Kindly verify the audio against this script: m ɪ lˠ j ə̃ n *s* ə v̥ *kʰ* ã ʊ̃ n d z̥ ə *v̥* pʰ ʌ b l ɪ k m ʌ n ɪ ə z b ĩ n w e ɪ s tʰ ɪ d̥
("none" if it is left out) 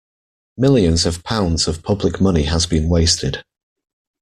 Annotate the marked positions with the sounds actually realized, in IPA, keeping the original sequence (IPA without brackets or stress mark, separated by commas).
z, pʰ, v̥